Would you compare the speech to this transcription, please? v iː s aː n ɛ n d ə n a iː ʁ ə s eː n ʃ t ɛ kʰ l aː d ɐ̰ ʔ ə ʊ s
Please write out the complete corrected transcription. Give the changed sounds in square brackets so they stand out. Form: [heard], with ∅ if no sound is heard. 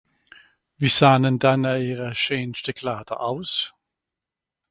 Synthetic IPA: v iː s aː n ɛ n d [a] n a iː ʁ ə [ʃ] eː n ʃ t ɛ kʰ l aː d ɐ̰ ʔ [a] ʊ s